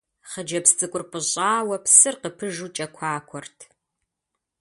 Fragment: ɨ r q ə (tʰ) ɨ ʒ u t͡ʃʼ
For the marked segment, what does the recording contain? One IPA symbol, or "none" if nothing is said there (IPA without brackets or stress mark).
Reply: pʰ